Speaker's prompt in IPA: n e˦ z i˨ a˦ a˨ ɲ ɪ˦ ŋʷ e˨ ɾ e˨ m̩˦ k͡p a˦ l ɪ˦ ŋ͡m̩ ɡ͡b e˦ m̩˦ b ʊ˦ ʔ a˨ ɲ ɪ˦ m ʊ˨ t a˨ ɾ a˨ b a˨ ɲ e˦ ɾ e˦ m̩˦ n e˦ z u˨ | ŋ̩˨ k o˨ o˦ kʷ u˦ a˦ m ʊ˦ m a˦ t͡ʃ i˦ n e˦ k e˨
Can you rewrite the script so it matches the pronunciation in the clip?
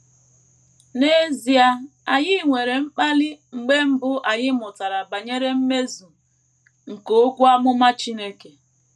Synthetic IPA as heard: n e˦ z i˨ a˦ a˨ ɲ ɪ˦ ŋʷ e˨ ɾ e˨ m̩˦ k͡p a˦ l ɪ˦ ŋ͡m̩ ɡ͡b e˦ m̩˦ b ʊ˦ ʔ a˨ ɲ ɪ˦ m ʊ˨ t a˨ ɾ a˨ b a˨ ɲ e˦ ɾ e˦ m̩˦ m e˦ z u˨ | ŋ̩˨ k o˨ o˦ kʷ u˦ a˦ m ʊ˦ m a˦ t͡ʃ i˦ n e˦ k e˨

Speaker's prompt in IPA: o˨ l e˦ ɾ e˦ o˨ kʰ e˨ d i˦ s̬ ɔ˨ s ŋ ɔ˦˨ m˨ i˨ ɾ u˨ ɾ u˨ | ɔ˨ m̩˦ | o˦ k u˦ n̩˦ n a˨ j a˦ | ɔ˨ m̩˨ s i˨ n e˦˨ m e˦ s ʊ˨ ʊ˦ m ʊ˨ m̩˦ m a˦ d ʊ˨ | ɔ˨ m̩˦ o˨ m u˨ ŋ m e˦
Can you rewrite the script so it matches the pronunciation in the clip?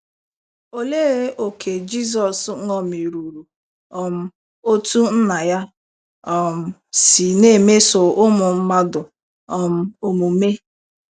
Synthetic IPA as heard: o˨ l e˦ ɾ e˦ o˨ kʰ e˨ d͡ʒ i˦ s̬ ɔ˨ s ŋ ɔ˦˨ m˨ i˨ ɾ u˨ ɾ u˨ | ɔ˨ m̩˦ | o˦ t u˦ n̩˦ n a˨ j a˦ | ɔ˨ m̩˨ s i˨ n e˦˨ m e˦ s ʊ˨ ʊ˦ m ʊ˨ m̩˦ m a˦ d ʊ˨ | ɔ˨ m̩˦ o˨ m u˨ m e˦

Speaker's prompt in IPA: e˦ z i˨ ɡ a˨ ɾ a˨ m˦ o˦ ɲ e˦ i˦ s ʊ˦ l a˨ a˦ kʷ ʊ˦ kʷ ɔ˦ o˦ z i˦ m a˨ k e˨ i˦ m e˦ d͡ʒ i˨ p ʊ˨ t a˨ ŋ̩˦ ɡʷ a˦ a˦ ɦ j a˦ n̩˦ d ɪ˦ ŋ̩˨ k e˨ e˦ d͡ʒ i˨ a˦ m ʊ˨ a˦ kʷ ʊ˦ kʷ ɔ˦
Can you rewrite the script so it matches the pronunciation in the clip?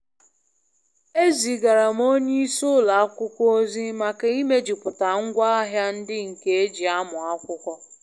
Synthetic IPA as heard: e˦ z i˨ ɡ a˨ ɾ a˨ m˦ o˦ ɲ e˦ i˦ s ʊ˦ l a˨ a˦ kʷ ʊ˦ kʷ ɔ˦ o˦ z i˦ m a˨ k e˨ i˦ m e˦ d͡ʒ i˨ p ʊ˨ t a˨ ŋ̩˦ ɡʷ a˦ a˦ ɦ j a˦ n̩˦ d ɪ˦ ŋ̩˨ k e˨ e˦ d͡ʒ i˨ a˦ m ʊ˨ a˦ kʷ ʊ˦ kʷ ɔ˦

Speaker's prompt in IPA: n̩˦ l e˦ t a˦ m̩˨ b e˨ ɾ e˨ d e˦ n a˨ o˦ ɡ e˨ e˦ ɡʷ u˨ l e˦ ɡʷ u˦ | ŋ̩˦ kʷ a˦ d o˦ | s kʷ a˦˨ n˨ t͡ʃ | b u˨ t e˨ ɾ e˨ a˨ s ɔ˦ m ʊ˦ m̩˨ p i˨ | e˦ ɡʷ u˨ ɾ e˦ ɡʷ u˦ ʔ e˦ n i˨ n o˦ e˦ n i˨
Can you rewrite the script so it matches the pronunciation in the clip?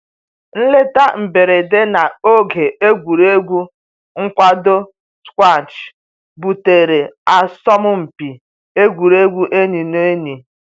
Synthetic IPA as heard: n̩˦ l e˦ t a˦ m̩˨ b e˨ ɾ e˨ d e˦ n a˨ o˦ ɡ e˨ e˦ ɡʷ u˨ ɾ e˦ ɡʷ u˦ | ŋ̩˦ kʷ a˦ d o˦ | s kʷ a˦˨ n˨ t͡ʃ | b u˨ t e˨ ɾ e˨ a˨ s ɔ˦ m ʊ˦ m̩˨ p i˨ | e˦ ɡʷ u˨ ɾ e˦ ɡʷ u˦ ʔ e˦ n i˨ n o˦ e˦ n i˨

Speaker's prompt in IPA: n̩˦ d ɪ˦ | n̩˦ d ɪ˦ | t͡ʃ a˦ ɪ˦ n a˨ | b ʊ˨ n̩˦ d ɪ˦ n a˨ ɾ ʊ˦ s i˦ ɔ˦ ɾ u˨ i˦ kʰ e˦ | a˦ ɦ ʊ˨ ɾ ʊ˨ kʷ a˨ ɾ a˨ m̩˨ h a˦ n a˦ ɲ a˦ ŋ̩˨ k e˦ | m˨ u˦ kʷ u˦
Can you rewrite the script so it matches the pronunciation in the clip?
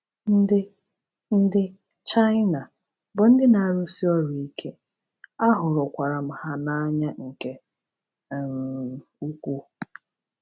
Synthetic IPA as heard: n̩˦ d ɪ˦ | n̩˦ d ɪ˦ | t͡ʃ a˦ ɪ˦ n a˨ | b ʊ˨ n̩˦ d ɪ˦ n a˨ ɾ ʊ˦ s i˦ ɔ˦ ɾ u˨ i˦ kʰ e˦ | a˦ ɦ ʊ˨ ɾ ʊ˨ kʷ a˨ ɾ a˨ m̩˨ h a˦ n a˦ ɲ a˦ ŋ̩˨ k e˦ | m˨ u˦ kʷ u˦

